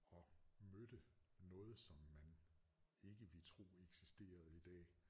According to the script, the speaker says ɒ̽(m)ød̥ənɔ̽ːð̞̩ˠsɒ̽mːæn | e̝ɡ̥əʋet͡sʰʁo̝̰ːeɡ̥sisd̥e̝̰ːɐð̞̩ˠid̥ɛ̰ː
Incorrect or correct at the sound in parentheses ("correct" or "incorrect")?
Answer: correct